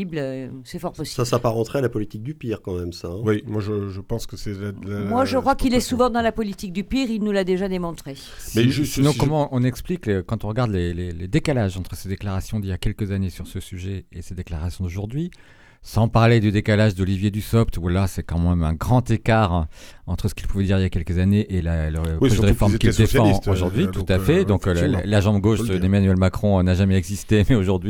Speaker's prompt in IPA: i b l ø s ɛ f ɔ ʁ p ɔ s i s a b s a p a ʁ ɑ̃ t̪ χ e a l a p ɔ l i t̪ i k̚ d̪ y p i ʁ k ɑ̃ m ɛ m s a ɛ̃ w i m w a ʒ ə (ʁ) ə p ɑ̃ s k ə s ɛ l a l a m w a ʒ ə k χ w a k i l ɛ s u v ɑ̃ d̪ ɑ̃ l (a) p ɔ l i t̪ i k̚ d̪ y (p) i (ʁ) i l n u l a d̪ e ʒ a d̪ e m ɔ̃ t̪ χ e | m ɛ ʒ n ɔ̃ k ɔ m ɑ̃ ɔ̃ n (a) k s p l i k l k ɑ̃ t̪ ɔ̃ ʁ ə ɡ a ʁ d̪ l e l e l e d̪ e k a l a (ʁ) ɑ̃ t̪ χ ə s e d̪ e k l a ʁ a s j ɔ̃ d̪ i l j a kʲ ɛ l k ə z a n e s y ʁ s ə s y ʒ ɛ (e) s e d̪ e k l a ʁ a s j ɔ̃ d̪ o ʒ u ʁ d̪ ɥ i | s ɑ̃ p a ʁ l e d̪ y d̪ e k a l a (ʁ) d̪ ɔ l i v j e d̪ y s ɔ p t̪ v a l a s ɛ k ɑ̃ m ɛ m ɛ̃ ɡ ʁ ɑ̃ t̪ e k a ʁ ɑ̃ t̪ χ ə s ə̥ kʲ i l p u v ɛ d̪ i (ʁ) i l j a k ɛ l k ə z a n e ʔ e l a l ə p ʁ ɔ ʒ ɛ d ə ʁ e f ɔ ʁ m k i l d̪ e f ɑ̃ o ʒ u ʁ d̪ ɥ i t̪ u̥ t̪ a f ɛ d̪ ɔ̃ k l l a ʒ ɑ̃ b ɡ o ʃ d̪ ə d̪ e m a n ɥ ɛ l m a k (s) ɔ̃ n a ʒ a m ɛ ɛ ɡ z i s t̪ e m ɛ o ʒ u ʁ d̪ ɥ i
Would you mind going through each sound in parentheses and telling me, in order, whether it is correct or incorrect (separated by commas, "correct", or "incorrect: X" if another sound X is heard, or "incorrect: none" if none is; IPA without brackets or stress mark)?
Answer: incorrect: ʒ, correct, correct, correct, incorrect: ɛ, incorrect: ʒ, correct, incorrect: ʒ, correct, incorrect: χ